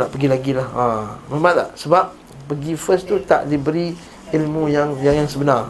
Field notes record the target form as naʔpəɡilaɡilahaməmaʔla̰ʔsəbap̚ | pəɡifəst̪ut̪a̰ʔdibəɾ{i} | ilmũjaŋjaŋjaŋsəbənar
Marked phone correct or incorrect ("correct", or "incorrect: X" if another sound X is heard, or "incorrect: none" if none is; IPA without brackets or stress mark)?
correct